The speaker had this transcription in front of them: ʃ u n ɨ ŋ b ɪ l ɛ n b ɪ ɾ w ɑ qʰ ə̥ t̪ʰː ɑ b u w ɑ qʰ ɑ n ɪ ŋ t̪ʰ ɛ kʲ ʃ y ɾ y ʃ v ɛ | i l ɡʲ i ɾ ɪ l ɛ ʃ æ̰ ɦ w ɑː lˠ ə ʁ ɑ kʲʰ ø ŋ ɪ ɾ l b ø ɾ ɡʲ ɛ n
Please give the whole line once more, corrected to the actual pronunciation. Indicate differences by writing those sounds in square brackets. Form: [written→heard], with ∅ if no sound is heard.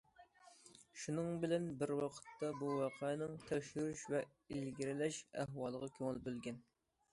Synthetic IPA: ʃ u n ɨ ŋ b ɪ l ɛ n b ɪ ɾ w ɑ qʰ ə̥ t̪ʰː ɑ b u w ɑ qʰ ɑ n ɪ ŋ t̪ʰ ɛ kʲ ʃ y ɾ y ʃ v ɛ | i l ɡʲ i ɾ ɪ l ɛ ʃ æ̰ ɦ w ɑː lˠ ə ʁ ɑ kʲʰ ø ŋ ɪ [ɾ→∅] l b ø [ɾ→l] ɡʲ ɛ n